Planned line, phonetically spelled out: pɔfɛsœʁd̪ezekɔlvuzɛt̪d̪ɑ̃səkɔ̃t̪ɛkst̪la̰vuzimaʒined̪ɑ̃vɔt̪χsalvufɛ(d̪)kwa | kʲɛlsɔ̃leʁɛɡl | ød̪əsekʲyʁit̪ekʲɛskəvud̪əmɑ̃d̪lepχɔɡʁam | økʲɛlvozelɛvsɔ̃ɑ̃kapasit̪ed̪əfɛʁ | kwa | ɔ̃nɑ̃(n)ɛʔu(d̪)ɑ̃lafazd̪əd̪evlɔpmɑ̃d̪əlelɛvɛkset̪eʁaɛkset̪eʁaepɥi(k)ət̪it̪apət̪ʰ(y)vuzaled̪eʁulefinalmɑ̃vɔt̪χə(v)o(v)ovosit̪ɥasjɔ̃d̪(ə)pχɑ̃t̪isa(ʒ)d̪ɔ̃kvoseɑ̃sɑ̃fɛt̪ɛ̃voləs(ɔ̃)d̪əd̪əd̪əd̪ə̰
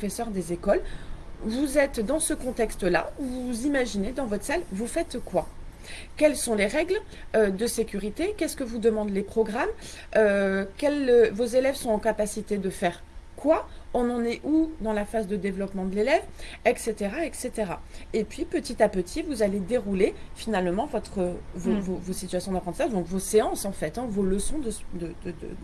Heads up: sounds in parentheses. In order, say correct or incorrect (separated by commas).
incorrect, correct, correct, incorrect, incorrect, correct, correct, incorrect, correct, correct